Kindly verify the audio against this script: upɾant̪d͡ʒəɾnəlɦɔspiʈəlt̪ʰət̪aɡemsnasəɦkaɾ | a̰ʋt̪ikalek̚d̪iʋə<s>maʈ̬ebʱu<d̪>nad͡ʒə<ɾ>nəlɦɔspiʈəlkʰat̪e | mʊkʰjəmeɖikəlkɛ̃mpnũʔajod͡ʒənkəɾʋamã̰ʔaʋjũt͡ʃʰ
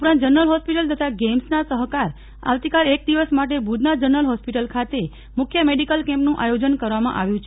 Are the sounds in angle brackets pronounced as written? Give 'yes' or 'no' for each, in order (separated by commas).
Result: yes, yes, yes